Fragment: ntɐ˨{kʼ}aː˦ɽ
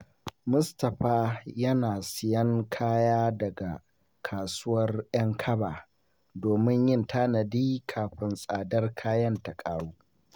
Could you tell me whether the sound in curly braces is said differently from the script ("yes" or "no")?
no